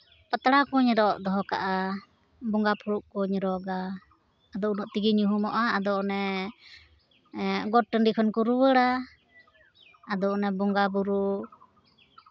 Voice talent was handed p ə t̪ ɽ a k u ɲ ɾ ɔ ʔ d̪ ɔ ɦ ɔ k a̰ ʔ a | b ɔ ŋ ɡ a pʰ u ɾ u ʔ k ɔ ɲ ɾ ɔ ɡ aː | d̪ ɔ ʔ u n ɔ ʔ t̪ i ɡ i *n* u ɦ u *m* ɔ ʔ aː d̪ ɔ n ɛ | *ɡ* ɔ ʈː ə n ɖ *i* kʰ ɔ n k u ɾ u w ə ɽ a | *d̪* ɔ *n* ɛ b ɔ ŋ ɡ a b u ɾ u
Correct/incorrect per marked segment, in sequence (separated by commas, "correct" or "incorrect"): incorrect, correct, correct, correct, correct, correct